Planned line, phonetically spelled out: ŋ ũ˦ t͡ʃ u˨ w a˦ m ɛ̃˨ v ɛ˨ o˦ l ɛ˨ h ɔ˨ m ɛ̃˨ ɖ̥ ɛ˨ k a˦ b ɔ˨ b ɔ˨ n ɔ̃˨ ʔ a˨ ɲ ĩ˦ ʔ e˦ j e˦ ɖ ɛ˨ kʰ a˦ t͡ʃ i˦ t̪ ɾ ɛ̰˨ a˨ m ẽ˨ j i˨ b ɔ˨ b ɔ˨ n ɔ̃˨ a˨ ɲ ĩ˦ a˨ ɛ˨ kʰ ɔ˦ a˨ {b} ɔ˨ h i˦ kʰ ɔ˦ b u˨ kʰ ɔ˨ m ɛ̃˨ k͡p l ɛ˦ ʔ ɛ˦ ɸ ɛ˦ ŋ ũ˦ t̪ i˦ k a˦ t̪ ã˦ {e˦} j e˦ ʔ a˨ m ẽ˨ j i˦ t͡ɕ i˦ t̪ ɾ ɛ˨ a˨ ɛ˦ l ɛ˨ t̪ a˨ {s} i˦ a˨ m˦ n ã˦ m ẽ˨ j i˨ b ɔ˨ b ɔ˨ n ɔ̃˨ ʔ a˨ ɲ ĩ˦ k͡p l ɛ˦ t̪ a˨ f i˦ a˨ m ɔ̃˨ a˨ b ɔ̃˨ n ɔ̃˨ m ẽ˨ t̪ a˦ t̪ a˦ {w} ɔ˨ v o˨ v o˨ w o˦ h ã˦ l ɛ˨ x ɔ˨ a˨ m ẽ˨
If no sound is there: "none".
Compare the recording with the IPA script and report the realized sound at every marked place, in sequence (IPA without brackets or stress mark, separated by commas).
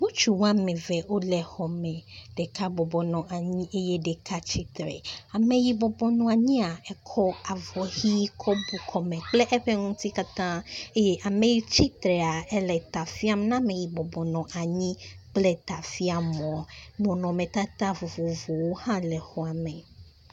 v, e˦, f, v